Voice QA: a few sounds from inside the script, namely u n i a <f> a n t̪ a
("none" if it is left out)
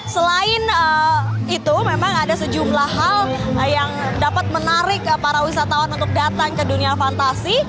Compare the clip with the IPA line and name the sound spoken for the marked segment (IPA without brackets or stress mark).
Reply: f